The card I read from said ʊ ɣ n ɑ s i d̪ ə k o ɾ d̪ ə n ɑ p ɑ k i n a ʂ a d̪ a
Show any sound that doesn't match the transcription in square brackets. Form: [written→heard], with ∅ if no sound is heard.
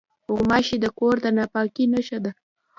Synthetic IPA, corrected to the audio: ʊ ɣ [n→m] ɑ [s→ʃ] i d̪ ə k o ɾ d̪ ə n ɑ p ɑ k i n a [ʂ→ʃ] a d̪ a